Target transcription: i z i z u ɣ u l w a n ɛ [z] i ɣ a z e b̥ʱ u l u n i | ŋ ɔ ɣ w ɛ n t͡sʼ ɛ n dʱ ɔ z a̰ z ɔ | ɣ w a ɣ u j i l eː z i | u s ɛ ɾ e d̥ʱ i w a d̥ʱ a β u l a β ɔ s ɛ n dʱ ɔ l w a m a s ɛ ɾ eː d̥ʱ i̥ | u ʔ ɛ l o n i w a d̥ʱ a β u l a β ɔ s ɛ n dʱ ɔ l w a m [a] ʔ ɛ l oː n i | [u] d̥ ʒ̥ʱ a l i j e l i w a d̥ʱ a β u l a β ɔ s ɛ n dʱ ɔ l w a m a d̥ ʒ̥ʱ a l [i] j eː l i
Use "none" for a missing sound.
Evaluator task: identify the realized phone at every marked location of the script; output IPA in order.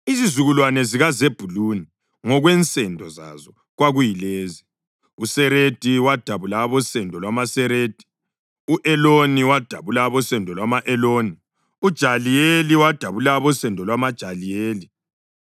z, a, u, i

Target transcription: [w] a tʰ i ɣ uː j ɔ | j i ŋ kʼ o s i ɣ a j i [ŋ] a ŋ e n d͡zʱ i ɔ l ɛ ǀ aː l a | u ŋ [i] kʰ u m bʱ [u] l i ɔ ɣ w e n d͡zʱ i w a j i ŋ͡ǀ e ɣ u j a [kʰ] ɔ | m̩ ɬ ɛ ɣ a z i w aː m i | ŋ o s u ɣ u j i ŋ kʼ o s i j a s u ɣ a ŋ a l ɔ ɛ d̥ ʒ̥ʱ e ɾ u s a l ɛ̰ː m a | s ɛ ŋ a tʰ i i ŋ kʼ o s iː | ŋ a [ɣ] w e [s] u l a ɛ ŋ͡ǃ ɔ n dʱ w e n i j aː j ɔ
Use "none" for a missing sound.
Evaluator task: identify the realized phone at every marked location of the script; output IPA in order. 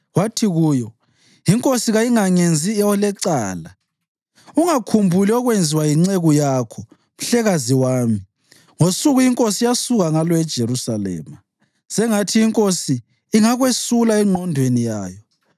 w, ŋ, a, u, kʰ, ɣ, s

